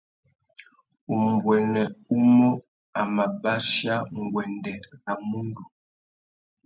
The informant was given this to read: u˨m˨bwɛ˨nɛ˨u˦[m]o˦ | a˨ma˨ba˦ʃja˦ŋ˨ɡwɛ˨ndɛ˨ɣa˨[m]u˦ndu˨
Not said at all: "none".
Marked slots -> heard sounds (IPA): m, m

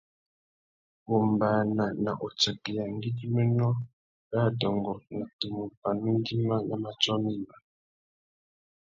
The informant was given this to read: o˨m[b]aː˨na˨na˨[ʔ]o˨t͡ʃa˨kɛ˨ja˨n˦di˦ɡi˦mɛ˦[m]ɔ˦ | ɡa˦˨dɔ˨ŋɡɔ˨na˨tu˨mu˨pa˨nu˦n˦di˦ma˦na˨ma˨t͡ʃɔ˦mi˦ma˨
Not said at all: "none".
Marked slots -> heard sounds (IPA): b, ʔ, n

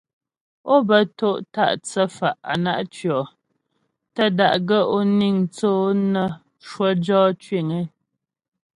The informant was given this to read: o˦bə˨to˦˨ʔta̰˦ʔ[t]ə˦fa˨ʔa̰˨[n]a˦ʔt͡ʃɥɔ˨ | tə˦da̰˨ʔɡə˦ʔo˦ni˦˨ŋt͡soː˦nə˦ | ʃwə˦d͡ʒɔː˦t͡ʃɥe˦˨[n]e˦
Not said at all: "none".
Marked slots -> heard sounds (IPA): t͡s, n, ŋ

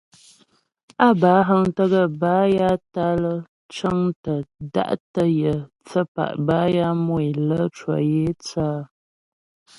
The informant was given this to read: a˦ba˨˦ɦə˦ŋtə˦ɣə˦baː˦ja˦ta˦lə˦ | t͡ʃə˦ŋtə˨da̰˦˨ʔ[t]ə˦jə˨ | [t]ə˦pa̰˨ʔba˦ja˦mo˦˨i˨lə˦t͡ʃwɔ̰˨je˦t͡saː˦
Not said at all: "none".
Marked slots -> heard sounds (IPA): t, t͡s

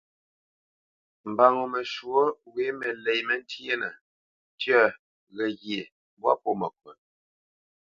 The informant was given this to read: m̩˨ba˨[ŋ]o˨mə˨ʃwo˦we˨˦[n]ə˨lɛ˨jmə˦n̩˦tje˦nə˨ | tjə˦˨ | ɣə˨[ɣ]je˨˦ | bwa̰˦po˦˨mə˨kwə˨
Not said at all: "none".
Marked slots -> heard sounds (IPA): ŋ, m, ɣ

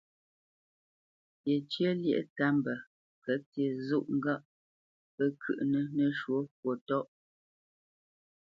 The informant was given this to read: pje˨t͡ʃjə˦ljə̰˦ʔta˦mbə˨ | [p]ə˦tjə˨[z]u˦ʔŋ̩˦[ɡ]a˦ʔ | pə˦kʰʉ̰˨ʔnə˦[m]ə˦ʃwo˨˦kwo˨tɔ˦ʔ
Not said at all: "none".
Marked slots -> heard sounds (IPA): k, z, ɡ, n

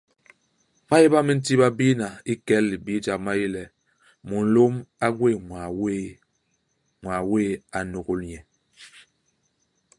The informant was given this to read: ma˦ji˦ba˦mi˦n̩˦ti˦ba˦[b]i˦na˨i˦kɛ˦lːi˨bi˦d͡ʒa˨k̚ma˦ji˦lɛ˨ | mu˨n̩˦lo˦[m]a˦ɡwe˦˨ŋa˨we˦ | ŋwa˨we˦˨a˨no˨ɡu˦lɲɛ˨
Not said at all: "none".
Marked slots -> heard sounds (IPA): b, m

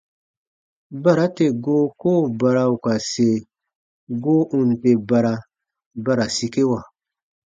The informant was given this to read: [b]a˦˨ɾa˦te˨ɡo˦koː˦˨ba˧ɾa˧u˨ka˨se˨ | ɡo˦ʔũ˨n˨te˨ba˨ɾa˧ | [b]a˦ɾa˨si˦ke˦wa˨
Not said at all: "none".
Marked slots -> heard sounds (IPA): b, b

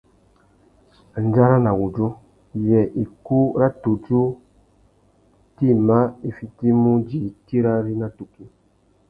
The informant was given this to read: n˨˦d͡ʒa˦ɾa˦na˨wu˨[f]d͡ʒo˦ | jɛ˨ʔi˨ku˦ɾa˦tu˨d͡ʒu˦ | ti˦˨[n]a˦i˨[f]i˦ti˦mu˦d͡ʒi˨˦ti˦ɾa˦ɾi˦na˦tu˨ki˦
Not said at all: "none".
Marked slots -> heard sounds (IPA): none, m, f

